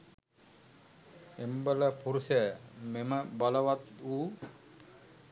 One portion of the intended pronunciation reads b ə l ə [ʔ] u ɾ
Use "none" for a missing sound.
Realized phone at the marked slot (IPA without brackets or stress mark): p